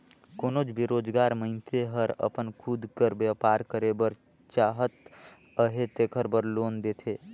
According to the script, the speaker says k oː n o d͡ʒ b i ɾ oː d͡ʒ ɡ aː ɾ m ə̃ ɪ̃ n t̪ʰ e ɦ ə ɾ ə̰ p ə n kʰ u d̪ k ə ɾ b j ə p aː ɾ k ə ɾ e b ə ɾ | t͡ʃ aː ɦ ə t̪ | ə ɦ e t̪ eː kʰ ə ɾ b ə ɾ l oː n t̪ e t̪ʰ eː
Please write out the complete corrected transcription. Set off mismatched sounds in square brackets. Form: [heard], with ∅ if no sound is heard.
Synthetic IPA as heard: k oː n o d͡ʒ b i ɾ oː d͡ʒ ɡ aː ɾ m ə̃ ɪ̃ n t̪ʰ e ɦ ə ɾ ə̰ p ə n kʰ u d̪ k ə ɾ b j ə p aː ɾ k ə ɾ e b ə ɾ | t͡ʃ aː ɦ ə t̪ | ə ɦ e t̪ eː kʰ ə ɾ b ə ɾ l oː n [d̪] e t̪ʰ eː

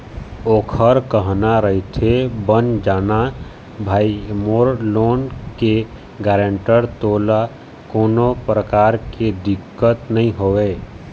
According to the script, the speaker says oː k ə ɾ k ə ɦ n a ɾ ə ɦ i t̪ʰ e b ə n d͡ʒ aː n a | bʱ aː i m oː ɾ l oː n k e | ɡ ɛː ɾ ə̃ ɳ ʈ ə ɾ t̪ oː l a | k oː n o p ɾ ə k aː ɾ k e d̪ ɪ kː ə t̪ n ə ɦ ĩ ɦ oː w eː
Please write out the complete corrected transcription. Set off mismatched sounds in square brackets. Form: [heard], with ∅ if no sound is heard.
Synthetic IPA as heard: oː [kʰ] ə ɾ k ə ɦ n a ɾ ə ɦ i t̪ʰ e b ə n d͡ʒ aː n a | bʱ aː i m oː ɾ l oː n k e | ɡ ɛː ɾ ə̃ ɳ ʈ ə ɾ t̪ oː l a | k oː n o p ɾ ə k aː ɾ k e d̪ ɪ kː ə t̪ n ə ɦ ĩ ɦ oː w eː

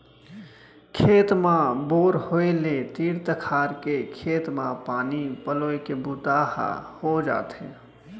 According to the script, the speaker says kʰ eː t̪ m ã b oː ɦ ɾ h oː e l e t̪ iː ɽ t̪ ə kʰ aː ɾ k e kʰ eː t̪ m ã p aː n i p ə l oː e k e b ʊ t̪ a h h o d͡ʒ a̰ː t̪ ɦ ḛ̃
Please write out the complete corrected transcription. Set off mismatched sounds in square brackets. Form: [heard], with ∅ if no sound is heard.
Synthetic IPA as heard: kʰ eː t̪ m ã b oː [∅] ɾ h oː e l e t̪ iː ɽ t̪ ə kʰ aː ɾ k e kʰ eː t̪ m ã p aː n i p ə l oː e k e b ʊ t̪ a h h o d͡ʒ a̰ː t̪ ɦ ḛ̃

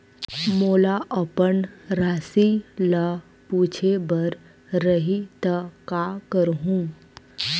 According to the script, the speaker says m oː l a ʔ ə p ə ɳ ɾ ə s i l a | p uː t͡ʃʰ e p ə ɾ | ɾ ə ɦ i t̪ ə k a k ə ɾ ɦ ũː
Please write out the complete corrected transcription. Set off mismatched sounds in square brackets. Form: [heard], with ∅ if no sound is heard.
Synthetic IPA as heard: m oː l a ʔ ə p ə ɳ ɾ [a] s i l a | p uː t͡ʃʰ e [b] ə ɾ | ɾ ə ɦ i t̪ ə k a k ə ɾ ɦ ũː

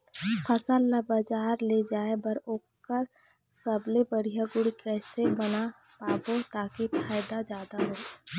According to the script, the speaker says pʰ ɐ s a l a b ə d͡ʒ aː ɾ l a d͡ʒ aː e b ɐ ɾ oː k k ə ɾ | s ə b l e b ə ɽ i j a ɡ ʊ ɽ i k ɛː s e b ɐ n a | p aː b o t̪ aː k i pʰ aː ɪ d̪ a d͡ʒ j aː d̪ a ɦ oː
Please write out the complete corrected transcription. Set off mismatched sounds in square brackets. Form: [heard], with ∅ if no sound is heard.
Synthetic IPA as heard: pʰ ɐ s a l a b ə d͡ʒ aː ɾ l [e] d͡ʒ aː e b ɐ ɾ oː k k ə ɾ | s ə b l e b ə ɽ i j a ɡ ʊ ɽ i k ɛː s e b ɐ n a | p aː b o t̪ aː k i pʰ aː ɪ d̪ a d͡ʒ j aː d̪ a ɦ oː

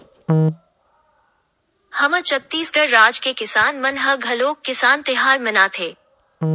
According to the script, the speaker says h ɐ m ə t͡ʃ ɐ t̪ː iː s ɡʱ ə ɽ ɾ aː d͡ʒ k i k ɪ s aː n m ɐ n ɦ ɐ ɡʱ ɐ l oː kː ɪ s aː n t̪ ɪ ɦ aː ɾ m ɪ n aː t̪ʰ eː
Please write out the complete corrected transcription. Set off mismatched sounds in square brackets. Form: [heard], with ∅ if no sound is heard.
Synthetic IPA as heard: h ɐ m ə t͡ʃ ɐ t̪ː iː s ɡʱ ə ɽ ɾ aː d͡ʒ k [e] k ɪ s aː n m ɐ n ɦ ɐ ɡʱ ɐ l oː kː ɪ s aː n t̪ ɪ ɦ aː ɾ m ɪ n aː t̪ʰ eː

